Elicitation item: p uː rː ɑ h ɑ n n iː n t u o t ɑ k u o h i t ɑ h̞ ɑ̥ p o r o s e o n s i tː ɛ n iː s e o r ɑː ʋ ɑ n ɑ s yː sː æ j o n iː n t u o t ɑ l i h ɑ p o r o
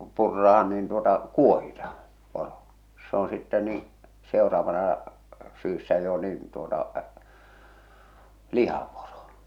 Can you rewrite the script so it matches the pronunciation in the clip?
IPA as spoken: p u rː ɑ h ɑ n n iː n t u o t ɑ k u o h i t ɑ h̞ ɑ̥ p o r o s e o n s i tː ɛ n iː s e o r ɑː ʋ ɑ n ɑ s yː sː æ j o n iː n t u o t ɑ l i h ɑ p o r o